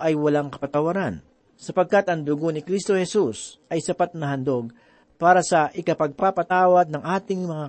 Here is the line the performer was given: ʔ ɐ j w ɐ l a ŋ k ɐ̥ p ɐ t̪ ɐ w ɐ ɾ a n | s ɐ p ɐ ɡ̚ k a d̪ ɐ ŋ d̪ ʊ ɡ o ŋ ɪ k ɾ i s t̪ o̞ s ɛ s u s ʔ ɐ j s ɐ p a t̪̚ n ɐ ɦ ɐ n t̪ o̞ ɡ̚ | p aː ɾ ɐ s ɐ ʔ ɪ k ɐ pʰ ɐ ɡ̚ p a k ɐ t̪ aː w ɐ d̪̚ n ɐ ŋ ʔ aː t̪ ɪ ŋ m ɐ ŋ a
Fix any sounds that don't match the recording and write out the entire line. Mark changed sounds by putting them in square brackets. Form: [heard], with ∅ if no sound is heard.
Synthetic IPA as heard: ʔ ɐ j w ɐ l a ŋ k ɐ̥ p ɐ t̪ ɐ w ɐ ɾ a n | s ɐ p ɐ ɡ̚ k a [t̪] ɐ ŋ d̪ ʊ ɡ o [n] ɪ k ɾ i s t̪ o̞ [h] ɛ s u s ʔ ɐ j s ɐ p a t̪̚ n ɐ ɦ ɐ n [d̪] o̞ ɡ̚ | p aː ɾ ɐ s ɐ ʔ ɪ k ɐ [p] ɐ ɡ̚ p a [p] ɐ t̪ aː w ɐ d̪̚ n ɐ ŋ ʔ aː t̪ ɪ ŋ m ɐ ŋ a